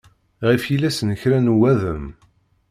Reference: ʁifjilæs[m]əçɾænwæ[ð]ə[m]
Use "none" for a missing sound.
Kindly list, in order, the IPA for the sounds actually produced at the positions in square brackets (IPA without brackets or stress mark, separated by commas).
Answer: n, ð, m